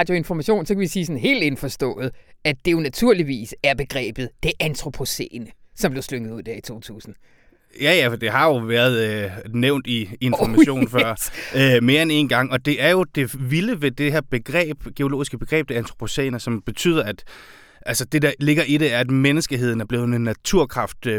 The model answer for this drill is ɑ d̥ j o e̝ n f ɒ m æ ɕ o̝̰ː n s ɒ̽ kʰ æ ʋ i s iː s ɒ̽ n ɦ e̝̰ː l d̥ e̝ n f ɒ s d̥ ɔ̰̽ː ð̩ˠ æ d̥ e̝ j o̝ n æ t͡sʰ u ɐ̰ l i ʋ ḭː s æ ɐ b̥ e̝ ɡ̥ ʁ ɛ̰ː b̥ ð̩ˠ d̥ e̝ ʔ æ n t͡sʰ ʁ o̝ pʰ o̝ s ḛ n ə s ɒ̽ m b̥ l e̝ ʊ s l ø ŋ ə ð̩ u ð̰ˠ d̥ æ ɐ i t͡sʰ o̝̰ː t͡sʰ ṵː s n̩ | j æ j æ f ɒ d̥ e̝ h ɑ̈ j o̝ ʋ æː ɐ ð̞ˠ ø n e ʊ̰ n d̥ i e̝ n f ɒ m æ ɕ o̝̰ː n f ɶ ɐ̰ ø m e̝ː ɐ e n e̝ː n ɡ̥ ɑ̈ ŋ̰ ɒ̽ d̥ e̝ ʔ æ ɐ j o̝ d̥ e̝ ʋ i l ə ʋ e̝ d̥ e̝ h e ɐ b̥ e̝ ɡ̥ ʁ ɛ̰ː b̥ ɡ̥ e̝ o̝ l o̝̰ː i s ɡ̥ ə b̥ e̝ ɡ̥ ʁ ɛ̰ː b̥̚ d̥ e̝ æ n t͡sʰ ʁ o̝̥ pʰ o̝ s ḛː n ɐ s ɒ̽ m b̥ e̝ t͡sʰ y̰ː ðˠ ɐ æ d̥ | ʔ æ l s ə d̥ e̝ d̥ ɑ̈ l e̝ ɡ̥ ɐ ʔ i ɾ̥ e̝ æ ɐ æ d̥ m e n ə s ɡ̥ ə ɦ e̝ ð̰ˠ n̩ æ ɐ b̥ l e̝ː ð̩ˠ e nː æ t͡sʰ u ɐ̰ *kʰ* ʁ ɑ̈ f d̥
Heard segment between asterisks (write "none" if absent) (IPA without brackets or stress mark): kʰ